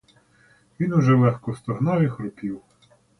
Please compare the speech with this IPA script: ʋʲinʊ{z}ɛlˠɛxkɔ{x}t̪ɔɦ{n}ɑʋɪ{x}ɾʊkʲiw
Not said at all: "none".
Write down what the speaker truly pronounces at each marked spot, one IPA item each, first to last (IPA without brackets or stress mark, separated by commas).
ʒ, s, n, x